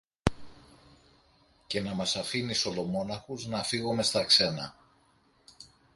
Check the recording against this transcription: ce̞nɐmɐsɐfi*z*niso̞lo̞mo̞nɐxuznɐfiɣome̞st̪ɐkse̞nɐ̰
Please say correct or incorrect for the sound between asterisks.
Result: incorrect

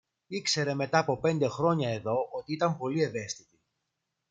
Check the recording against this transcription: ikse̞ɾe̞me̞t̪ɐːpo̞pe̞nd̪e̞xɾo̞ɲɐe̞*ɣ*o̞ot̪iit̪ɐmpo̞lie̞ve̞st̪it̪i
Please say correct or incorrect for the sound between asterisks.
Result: incorrect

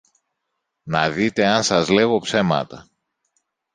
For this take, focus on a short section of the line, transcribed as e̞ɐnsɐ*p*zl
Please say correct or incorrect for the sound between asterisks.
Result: incorrect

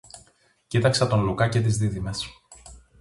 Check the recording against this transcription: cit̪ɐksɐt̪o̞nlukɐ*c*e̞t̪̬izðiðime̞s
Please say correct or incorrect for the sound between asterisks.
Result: correct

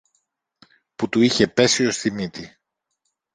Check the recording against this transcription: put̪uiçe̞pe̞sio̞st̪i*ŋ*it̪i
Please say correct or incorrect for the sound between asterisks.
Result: incorrect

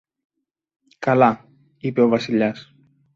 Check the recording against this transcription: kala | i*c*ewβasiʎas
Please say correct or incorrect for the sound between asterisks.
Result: incorrect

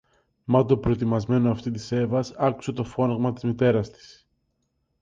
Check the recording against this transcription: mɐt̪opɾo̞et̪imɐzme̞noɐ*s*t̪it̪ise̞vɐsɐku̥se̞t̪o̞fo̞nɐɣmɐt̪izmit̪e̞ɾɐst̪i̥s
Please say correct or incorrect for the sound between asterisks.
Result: incorrect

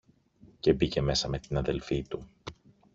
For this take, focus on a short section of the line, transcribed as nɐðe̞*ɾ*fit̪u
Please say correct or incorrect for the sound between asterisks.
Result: incorrect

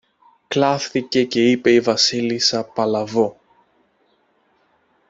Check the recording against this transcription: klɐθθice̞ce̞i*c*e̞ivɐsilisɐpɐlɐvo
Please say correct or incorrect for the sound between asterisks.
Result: incorrect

